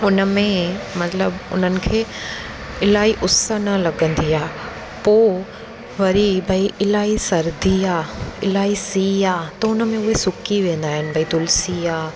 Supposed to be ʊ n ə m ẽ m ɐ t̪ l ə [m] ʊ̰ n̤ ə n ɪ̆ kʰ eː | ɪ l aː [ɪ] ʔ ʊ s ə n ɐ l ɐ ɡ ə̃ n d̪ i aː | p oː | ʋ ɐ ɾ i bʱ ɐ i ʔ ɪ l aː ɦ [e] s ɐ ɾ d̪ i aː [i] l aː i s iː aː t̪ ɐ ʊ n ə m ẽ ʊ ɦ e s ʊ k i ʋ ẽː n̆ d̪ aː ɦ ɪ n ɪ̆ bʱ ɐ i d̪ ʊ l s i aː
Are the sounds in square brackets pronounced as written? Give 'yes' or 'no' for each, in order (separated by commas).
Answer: no, no, no, no